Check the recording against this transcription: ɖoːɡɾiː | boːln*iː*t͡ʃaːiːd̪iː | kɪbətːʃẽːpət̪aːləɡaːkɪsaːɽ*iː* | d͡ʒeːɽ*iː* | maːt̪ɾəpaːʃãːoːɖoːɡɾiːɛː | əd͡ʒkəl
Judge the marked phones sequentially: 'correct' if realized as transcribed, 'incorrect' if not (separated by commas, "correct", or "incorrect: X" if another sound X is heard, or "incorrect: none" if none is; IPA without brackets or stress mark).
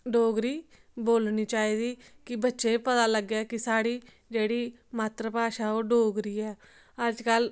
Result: correct, correct, correct